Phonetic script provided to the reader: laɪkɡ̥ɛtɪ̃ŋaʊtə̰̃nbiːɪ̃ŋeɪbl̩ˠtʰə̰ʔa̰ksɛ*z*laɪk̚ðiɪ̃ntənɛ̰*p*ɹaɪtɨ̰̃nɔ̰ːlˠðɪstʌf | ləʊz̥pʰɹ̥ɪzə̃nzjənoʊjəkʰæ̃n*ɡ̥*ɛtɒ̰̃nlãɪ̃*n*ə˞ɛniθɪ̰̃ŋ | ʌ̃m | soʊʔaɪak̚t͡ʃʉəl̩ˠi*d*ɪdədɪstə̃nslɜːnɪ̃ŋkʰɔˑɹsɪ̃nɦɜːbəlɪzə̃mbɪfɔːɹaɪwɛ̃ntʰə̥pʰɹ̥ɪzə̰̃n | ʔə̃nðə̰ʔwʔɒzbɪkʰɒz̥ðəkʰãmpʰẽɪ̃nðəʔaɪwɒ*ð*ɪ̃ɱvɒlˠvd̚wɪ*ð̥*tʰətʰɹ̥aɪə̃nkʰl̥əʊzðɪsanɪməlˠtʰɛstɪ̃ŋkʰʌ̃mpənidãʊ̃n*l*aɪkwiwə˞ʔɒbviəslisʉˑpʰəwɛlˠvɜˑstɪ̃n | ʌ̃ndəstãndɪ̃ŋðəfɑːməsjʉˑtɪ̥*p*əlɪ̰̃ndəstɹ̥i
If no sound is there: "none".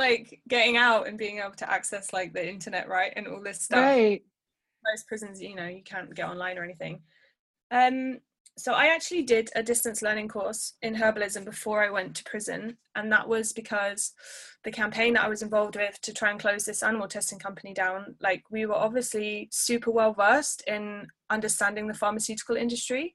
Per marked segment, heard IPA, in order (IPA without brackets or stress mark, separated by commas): s, ʔ, ɡ̥, n, d, z, ð̥, l, k